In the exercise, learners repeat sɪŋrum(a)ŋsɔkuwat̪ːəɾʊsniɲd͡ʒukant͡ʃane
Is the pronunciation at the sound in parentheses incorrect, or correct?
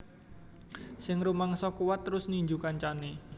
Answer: correct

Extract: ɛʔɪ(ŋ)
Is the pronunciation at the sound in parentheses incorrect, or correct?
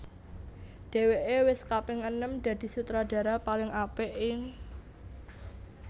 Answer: correct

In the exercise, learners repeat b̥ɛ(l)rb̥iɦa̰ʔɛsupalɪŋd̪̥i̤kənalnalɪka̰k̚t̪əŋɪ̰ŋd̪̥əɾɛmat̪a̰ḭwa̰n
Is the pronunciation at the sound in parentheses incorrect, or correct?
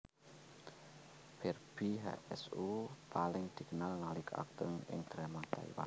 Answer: incorrect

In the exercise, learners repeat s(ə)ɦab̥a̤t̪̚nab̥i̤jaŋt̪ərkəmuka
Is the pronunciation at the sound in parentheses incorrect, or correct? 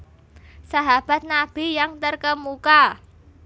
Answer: incorrect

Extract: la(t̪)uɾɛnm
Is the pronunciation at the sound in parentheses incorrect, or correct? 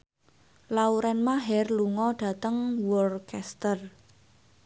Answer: incorrect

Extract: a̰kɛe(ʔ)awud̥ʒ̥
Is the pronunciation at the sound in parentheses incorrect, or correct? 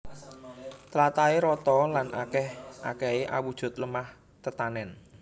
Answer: correct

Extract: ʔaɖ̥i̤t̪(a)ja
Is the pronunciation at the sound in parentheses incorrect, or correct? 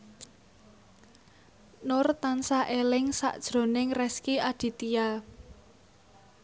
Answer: incorrect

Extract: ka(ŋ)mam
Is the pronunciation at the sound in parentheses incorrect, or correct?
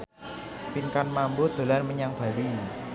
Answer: incorrect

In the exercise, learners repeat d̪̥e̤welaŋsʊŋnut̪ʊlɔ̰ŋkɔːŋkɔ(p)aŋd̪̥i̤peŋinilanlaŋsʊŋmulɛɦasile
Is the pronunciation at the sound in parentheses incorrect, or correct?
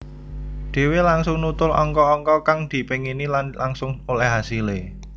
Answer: incorrect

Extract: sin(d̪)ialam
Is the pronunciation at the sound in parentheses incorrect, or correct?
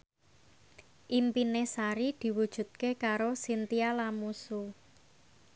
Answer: incorrect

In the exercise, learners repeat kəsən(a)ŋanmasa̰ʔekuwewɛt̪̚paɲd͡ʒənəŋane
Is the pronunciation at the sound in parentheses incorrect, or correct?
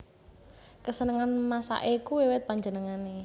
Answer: incorrect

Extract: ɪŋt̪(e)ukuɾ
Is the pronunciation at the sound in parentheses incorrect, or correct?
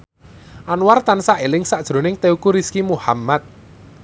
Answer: correct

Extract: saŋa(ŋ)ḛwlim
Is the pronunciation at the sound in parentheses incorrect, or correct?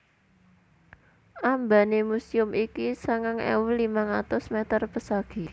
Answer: correct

